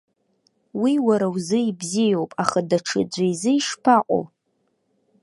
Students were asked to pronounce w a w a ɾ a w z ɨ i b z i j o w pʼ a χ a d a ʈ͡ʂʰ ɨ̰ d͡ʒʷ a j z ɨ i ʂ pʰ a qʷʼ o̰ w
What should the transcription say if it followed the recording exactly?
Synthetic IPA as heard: w i w a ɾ a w z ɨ i b z i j o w pʼ a χ a d a ʈ͡ʂʰ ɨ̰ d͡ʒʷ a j z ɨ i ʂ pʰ a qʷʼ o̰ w